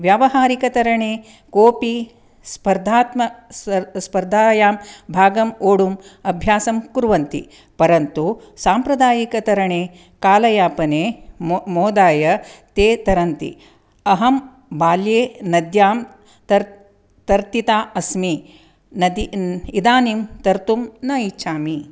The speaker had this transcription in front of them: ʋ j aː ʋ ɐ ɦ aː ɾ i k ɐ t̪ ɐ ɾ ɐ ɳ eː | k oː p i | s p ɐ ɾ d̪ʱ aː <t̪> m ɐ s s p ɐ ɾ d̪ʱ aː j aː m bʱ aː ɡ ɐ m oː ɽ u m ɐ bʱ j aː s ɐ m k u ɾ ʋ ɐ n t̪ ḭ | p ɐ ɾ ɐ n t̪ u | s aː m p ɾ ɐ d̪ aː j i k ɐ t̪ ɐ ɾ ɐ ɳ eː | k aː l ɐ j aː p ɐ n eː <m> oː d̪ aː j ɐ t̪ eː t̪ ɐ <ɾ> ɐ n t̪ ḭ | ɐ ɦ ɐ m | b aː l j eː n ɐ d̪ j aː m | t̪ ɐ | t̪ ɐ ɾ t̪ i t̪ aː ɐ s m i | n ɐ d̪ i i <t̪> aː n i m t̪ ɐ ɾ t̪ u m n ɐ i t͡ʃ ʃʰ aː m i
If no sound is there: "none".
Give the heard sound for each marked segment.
t̪, m, ɾ, d̪

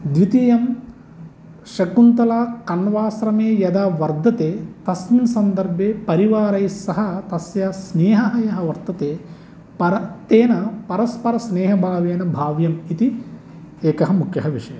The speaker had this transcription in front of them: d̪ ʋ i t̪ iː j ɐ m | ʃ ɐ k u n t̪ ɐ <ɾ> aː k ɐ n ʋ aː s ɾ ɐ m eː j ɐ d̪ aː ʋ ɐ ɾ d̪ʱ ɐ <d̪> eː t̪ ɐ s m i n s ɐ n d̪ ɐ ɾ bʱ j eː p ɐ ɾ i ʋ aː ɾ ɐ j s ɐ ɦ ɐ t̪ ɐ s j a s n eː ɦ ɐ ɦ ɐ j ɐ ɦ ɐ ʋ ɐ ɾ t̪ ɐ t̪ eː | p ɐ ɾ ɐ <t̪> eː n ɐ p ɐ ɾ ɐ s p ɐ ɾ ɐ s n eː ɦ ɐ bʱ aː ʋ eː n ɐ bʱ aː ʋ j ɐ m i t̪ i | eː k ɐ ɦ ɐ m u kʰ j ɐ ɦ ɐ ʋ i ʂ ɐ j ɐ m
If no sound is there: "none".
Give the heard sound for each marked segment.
l, t̪, t̪

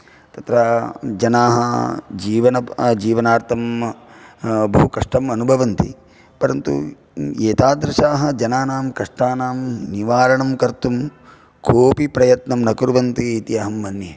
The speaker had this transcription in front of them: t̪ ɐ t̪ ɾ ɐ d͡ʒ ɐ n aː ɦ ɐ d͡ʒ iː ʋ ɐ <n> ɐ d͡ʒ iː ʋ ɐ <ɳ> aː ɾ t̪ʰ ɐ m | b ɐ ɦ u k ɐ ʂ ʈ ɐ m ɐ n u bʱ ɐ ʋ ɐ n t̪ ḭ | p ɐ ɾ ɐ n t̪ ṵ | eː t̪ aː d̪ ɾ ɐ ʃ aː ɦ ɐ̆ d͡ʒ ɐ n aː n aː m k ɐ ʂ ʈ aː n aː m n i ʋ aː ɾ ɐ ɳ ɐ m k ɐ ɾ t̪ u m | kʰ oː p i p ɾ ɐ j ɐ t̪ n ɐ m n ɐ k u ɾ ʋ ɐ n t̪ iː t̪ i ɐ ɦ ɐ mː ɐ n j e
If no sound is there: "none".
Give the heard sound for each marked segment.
n, n

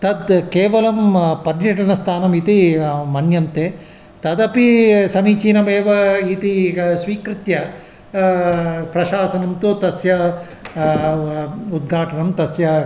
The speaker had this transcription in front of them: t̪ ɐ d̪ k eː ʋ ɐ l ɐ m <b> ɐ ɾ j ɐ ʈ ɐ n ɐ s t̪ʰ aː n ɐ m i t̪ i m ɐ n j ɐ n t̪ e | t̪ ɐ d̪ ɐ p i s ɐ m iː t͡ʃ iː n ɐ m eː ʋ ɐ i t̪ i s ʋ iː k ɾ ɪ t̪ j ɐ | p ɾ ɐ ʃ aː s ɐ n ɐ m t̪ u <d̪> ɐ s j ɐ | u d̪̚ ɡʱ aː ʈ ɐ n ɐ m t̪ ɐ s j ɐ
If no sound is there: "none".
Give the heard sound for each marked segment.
p, t̪

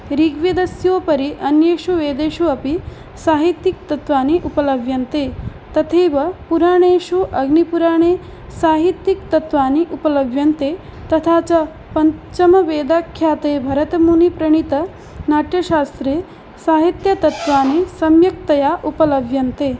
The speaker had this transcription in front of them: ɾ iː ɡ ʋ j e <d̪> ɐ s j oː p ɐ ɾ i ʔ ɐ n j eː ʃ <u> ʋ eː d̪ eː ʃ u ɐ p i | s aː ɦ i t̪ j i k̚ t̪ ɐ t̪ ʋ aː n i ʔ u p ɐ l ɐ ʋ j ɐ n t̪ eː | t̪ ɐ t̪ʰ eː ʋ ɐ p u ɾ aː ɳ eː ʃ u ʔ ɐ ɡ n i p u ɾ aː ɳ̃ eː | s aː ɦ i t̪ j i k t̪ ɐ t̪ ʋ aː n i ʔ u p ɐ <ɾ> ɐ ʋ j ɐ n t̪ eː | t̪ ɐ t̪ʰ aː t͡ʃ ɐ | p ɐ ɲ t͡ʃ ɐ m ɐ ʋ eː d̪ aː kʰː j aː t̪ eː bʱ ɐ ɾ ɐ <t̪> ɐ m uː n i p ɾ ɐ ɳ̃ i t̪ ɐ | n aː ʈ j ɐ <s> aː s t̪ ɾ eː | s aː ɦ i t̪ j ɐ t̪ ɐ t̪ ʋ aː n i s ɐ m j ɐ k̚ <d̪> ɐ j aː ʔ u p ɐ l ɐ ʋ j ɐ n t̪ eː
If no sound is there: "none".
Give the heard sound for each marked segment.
d̪, u, l, t̪, ʃ, t̪

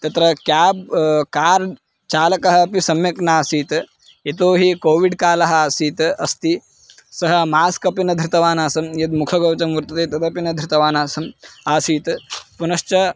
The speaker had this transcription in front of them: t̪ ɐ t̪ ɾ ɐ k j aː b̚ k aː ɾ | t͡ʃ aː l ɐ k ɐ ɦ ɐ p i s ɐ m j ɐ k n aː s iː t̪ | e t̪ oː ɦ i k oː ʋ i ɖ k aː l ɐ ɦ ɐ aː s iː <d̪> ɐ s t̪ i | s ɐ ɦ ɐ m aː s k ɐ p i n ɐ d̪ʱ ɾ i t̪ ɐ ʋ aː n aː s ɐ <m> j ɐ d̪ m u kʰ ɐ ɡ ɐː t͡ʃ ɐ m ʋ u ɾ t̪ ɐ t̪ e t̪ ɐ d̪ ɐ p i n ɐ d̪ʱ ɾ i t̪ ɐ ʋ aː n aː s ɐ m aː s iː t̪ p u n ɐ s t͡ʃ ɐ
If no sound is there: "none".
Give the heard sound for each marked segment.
t̪, m

